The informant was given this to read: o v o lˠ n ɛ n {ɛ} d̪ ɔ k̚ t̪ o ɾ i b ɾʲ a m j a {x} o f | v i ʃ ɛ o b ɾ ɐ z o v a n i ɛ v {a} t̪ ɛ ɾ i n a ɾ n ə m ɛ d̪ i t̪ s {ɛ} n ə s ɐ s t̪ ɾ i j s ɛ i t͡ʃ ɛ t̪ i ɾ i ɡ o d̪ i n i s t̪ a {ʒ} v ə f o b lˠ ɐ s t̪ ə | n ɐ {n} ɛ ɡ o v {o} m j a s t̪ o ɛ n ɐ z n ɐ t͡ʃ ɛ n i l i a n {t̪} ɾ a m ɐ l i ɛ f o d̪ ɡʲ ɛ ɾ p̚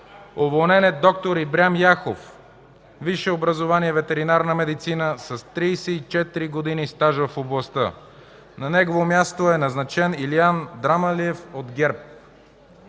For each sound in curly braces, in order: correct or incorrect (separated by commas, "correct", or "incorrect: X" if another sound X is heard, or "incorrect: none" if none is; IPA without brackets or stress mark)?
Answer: correct, correct, incorrect: ɛ, incorrect: i, correct, correct, correct, incorrect: d̪